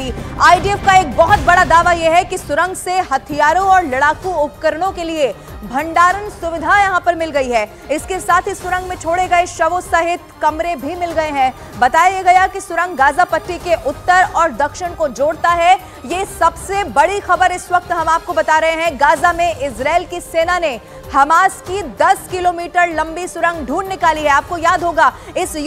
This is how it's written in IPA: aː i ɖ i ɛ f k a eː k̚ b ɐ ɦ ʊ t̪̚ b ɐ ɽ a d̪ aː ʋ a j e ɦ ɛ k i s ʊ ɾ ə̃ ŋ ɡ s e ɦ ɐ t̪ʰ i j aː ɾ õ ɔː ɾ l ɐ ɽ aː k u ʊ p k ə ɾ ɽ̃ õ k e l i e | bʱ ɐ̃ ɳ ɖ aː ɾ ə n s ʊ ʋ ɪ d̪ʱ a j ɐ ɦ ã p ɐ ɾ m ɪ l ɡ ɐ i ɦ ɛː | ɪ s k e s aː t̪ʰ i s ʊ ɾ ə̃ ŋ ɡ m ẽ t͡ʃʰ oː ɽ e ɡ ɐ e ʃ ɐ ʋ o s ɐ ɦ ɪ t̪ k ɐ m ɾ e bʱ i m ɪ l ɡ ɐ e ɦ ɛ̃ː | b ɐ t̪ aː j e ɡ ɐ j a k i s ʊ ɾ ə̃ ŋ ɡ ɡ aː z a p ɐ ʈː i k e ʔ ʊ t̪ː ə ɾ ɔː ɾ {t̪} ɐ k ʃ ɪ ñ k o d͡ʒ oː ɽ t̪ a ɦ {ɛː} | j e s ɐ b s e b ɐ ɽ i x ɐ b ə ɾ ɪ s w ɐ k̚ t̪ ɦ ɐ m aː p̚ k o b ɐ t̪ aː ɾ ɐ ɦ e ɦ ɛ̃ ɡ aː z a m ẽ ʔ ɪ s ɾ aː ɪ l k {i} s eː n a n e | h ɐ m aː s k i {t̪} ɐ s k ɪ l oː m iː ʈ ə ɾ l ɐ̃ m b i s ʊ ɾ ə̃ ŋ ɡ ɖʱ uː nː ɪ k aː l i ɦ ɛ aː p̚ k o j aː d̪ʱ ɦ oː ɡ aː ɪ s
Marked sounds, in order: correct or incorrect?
incorrect: d̪, incorrect: ɛ, correct, incorrect: d̪

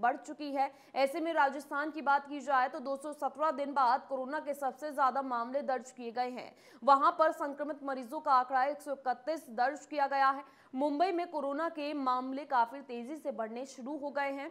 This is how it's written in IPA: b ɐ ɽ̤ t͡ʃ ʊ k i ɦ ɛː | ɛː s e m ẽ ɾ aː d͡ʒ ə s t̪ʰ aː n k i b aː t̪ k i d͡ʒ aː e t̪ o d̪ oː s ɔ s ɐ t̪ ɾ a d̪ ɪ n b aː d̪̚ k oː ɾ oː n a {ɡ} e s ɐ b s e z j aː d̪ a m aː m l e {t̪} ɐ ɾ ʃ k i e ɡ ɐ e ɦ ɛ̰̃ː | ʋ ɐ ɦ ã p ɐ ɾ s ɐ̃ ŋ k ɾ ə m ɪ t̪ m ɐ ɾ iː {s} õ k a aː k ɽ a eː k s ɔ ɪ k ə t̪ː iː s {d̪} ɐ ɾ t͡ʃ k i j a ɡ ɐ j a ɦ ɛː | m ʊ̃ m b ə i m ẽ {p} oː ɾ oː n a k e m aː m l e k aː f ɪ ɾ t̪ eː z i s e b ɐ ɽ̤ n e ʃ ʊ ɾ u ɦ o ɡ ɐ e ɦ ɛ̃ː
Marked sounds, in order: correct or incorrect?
incorrect: k, incorrect: d̪, incorrect: z, correct, incorrect: k

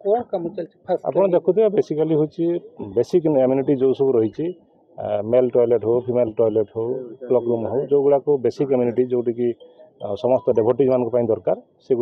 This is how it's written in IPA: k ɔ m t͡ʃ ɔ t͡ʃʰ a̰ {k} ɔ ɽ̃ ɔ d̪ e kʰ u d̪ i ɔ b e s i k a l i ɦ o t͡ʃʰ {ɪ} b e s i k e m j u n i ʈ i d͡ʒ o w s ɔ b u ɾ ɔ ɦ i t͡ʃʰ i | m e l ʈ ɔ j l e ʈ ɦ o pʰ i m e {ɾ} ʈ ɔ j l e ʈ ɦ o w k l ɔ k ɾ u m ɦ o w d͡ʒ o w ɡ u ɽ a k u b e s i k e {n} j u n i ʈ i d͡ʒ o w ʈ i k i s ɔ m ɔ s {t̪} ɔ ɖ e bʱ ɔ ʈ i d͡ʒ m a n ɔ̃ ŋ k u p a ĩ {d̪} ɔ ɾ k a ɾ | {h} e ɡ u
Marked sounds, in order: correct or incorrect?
incorrect: p, incorrect: i, incorrect: l, incorrect: m, correct, correct, incorrect: s

